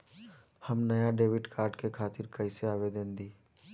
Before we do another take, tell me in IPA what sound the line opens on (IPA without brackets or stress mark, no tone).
h